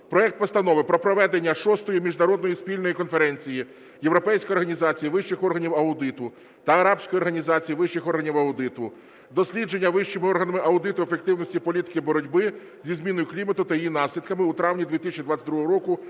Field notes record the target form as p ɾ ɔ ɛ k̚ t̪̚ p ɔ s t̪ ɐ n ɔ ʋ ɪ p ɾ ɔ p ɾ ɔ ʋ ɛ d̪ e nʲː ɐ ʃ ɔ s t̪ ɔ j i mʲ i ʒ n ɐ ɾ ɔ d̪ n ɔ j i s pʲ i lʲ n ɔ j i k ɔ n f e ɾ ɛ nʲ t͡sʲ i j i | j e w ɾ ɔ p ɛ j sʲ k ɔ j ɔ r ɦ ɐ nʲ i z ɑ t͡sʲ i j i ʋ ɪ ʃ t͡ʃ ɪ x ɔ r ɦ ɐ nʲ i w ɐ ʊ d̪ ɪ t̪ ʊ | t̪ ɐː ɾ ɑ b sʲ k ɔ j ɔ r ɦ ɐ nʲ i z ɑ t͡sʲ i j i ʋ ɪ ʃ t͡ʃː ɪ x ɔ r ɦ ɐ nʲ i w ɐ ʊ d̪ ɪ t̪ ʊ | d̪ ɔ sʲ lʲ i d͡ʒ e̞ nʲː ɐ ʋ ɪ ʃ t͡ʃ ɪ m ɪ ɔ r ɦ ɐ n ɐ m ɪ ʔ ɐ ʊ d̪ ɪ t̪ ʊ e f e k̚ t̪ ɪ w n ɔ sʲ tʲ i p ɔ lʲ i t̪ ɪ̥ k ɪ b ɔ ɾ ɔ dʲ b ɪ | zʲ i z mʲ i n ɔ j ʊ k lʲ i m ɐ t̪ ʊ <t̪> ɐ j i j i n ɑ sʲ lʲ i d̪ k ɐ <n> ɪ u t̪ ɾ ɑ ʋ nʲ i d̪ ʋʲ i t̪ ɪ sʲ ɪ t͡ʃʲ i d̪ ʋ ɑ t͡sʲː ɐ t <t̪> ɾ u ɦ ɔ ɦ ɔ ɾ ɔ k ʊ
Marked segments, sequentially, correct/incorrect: correct, incorrect, incorrect

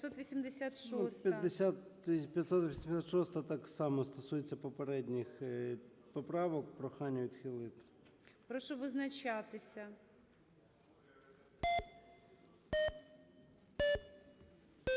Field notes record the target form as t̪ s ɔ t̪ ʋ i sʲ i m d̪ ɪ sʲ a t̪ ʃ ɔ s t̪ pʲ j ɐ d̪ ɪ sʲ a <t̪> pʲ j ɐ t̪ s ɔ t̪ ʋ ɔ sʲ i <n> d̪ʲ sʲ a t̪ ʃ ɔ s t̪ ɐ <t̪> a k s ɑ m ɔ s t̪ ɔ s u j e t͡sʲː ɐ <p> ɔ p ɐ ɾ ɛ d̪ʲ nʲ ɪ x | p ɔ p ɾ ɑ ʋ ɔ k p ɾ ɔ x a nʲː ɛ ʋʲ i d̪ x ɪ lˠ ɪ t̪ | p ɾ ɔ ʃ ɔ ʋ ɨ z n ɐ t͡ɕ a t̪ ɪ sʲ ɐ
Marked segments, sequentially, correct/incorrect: correct, incorrect, correct, correct

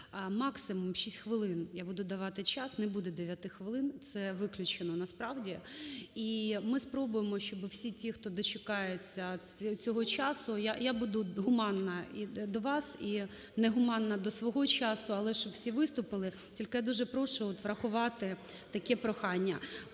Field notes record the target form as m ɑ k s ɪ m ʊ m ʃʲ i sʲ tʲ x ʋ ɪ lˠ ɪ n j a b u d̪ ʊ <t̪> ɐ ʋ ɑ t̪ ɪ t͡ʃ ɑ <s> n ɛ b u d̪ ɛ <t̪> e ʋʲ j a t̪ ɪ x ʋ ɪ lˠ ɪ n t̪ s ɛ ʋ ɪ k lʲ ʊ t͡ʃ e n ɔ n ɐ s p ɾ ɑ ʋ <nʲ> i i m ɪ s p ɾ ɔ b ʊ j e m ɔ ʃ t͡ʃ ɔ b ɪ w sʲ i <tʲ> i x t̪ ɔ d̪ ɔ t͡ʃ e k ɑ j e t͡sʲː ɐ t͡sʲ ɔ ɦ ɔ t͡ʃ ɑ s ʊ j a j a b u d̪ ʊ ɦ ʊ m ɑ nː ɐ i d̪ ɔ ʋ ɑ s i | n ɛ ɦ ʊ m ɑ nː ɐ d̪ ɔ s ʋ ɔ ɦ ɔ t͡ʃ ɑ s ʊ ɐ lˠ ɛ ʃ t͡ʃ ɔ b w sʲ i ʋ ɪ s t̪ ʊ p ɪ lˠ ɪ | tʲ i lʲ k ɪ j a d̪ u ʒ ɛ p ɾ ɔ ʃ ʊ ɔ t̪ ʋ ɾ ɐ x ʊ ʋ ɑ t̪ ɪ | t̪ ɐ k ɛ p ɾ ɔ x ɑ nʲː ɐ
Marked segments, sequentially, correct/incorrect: incorrect, correct, incorrect, incorrect, correct

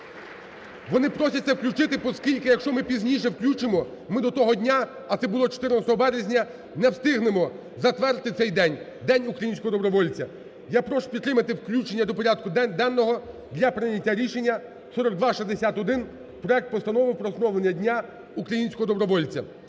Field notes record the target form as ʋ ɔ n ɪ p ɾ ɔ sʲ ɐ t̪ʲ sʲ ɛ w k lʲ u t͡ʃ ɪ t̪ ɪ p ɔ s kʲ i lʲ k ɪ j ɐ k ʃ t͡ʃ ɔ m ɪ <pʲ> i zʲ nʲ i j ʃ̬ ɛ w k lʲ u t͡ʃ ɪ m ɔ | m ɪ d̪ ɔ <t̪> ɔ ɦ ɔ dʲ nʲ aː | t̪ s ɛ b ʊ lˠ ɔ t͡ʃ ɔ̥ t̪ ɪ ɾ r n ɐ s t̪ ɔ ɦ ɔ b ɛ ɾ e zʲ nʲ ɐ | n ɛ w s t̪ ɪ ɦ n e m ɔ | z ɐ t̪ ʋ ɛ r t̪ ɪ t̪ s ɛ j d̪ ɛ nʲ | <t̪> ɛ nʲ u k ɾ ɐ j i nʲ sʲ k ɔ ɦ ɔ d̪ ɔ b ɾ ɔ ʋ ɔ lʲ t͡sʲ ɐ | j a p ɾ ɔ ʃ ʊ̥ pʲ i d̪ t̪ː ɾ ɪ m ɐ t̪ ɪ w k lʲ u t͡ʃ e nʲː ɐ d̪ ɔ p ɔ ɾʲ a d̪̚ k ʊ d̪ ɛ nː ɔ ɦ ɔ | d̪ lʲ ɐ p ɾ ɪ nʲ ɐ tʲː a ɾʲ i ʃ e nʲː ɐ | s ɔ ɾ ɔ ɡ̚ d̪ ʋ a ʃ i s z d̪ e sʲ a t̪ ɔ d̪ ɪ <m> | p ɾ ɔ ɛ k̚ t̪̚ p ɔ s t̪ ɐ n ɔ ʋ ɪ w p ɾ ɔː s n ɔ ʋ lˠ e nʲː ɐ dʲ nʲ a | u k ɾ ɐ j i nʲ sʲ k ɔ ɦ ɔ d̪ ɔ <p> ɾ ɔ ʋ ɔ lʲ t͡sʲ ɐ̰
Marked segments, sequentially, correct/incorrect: correct, correct, incorrect, incorrect, incorrect

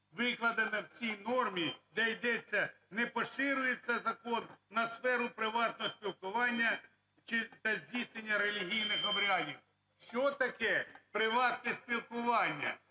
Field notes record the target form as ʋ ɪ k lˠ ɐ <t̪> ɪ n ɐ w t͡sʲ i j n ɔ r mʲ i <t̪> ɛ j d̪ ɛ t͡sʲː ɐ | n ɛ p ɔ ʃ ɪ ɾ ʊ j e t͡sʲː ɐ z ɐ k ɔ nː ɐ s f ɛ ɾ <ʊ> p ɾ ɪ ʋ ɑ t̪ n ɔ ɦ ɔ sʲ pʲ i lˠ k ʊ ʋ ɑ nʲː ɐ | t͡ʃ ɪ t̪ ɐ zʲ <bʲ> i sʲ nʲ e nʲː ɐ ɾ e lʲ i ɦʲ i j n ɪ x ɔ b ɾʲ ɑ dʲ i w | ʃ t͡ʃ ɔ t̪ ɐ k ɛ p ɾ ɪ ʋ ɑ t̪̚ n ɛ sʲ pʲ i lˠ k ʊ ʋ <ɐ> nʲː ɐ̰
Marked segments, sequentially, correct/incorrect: incorrect, incorrect, correct, incorrect, incorrect

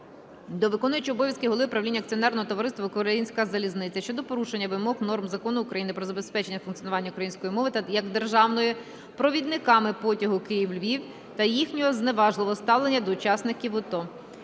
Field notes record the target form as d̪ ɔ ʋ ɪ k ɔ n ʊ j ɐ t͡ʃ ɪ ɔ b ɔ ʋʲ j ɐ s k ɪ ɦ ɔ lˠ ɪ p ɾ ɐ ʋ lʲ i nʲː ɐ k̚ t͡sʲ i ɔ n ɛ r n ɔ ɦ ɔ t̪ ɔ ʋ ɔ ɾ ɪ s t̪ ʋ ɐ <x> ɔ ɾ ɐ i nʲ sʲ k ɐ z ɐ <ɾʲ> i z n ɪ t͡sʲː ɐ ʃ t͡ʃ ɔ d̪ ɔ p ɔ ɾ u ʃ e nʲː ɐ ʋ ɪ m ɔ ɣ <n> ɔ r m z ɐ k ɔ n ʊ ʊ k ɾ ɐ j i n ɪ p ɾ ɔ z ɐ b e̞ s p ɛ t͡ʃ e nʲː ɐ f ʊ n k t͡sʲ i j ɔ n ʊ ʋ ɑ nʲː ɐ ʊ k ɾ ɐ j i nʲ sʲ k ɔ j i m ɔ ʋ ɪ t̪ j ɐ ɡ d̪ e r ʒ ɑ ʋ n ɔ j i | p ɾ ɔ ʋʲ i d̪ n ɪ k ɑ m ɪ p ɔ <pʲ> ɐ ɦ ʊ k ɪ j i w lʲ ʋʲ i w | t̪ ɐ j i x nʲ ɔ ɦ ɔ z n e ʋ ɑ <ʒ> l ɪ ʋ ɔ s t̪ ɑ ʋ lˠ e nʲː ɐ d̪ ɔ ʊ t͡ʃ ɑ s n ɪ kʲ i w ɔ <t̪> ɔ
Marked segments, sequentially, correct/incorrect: incorrect, incorrect, correct, incorrect, correct, correct

